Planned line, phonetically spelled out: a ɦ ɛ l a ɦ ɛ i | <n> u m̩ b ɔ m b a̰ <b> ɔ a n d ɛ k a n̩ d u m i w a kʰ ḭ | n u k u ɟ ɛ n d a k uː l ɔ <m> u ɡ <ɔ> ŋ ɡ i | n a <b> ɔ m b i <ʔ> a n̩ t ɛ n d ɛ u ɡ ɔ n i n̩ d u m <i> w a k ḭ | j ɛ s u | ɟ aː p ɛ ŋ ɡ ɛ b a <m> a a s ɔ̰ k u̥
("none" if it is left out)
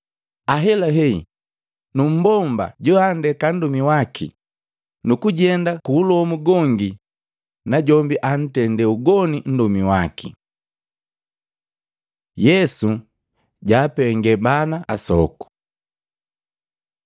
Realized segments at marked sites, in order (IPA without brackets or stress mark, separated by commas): n, ɟ, m, ɔ, ɟ, ʔ, i, n